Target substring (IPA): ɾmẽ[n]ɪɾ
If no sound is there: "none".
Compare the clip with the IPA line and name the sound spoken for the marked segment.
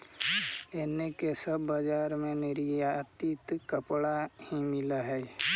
n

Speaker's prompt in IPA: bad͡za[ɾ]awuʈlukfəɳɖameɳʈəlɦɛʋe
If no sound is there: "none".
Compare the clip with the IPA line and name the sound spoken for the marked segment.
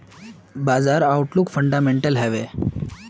ɾ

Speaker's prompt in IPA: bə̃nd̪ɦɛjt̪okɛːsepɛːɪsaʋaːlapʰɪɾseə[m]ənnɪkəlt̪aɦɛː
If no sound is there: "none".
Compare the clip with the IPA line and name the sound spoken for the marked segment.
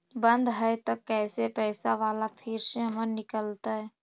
m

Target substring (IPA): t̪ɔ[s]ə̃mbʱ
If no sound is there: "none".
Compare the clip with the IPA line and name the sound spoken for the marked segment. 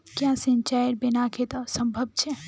s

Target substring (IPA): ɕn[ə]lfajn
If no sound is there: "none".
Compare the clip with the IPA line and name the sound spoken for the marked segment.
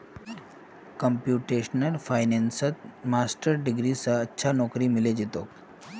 ə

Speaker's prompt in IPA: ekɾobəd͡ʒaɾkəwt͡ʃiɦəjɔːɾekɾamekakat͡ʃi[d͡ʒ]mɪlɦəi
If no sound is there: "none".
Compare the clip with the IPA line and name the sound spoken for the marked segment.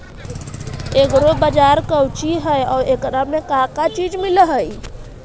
d͡ʒ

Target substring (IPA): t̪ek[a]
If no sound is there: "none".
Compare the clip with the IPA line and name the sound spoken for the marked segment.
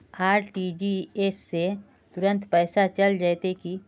i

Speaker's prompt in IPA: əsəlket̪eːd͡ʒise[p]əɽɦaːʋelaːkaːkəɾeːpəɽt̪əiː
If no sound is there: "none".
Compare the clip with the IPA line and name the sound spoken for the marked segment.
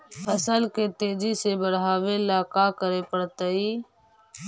b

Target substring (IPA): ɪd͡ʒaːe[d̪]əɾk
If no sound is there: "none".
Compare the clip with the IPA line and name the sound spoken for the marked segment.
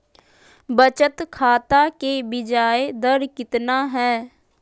d̪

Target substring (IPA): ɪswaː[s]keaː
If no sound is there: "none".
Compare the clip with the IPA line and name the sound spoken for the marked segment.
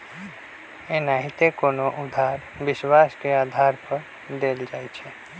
s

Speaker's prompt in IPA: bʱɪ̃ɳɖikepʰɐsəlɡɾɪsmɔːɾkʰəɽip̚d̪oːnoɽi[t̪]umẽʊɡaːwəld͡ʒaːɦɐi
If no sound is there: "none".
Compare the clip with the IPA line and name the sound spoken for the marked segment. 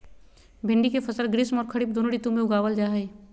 t̪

